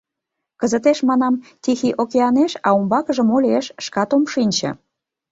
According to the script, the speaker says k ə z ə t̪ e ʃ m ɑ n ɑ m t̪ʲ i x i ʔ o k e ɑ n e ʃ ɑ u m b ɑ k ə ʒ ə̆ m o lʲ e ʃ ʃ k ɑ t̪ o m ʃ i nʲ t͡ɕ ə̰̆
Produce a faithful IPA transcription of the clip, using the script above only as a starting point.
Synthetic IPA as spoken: k ə z ə t̪ e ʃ m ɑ n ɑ m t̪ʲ i x i ʔ o k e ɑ n e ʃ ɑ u m b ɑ k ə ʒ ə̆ m o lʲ e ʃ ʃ k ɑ t̪ o m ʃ i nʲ t͡ɕ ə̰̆